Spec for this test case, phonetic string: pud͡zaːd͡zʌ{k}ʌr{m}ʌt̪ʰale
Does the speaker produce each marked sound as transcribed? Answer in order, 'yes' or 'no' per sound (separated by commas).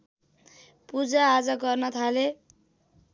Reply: no, no